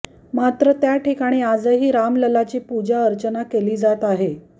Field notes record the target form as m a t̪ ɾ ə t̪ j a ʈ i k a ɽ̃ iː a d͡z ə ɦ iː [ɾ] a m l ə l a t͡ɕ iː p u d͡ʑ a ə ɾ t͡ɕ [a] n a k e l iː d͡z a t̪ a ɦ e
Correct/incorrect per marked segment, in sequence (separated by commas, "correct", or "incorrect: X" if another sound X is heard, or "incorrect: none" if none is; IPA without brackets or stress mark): correct, incorrect: ə